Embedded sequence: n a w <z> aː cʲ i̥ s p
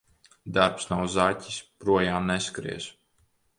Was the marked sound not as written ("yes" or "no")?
no